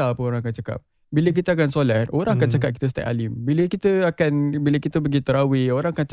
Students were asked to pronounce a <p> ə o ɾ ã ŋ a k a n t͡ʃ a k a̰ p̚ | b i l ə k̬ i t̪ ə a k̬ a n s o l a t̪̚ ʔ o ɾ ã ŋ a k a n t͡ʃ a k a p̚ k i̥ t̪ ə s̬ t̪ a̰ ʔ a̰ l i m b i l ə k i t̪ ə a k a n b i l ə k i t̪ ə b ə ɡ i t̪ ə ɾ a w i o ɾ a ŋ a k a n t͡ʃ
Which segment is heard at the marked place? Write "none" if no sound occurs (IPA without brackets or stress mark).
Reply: p